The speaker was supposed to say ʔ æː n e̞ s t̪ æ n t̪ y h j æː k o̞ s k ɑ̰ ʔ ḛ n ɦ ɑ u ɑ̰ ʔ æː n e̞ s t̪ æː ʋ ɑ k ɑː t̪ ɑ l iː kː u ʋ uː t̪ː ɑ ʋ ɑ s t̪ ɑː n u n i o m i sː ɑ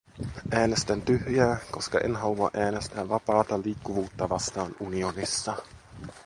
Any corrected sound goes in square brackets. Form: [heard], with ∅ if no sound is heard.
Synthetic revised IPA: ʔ æː n e̞ s t̪ æ n t̪ y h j æː k o̞ s k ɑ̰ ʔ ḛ n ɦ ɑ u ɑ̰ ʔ æː n e̞ s t̪ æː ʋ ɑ [p] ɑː t̪ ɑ l iː kː u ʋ uː t̪ː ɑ ʋ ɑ s t̪ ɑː n u n i o [n] i sː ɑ